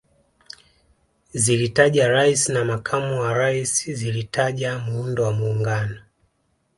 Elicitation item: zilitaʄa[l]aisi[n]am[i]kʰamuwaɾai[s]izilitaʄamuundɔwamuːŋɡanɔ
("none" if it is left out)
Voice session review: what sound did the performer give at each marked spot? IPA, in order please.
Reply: ɾ, n, a, s

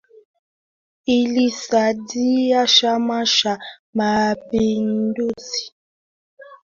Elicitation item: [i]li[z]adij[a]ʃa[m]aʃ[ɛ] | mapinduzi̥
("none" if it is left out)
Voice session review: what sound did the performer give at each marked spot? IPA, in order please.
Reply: i, s, a, m, a

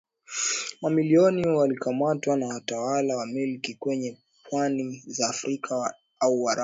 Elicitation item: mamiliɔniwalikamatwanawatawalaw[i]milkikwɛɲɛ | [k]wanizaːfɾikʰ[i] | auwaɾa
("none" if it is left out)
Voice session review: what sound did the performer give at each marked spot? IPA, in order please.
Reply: a, p, a

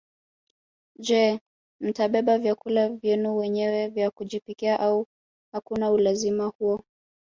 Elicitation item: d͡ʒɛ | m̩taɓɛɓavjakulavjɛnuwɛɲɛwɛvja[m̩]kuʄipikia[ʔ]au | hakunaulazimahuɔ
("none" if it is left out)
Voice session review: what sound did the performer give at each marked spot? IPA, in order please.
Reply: none, ʔ

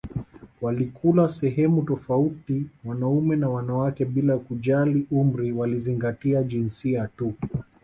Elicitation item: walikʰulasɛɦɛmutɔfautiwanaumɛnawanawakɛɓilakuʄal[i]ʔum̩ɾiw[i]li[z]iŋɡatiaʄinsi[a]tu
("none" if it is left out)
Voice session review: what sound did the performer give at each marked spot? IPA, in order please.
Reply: i, a, z, a

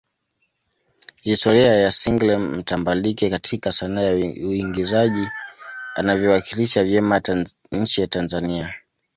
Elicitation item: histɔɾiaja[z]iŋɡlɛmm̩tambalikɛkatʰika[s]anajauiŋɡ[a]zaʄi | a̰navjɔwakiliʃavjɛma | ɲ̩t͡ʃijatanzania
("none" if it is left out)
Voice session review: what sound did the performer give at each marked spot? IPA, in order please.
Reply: s, s, i

